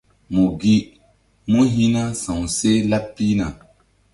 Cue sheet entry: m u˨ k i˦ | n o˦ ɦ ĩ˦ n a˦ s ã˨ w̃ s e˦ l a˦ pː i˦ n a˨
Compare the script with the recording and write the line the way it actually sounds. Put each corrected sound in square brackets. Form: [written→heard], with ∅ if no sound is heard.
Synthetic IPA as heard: m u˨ [k→ɡ] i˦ | [n→m] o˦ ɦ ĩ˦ n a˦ s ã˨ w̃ s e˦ l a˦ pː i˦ n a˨